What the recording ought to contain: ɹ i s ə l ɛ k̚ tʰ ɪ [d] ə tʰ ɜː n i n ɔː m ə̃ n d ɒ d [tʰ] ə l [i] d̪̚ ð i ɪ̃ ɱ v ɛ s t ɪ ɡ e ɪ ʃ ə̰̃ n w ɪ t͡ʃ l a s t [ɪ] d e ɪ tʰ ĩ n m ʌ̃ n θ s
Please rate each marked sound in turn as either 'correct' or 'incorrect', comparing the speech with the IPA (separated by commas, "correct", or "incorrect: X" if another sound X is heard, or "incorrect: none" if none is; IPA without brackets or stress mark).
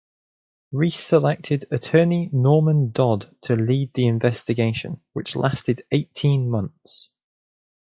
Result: correct, correct, incorrect: iː, correct